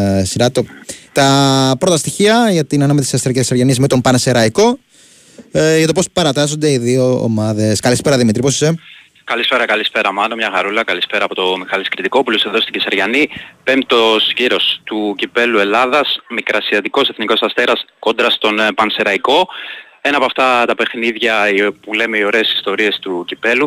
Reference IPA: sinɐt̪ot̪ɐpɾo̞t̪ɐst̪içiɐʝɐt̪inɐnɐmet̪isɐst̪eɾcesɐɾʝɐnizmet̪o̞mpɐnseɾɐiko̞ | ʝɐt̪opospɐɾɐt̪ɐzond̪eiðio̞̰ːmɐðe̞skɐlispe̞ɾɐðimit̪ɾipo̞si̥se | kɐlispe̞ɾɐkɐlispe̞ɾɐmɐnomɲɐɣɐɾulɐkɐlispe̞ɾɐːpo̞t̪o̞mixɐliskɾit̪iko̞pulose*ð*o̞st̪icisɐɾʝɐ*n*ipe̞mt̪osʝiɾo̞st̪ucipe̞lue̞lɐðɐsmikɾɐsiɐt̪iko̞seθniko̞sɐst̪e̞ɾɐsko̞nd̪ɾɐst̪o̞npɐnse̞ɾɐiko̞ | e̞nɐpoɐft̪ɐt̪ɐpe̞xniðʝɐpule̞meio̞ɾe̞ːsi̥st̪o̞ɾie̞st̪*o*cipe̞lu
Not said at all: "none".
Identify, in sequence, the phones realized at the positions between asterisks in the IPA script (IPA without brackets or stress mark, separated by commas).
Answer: ð, n, u